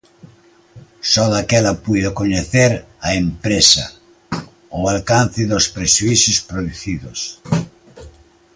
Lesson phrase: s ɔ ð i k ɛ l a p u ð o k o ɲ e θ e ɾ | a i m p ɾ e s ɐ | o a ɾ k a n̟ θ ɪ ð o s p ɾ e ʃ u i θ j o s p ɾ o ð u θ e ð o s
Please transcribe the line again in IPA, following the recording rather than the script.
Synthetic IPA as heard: s ɔ ð a k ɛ l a p u ð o k o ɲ e θ e ɾ | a e m p ɾ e s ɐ | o a l k a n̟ θ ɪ ð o s p ɾ e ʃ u i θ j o s p ɾ o ð u θ i ð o s